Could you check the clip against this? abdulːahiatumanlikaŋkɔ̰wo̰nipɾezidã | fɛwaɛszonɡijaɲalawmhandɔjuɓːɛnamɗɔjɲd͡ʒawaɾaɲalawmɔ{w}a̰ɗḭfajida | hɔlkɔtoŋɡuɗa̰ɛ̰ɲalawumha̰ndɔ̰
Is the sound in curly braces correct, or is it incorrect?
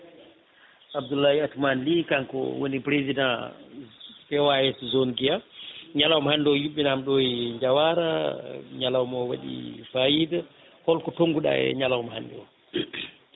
correct